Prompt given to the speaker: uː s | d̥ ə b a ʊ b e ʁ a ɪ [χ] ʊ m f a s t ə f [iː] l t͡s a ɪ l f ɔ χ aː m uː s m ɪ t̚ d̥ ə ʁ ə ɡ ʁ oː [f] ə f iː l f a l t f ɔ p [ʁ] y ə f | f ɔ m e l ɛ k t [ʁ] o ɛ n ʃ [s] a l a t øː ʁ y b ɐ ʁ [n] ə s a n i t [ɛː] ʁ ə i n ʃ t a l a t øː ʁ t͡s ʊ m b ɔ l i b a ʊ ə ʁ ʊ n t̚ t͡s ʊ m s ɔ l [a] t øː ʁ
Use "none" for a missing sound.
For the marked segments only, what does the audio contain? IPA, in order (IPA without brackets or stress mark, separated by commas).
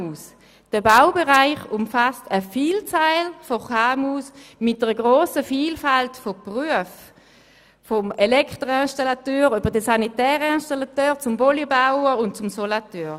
χ, iː, s, ʁ, ʁ, t, d, ɛː, a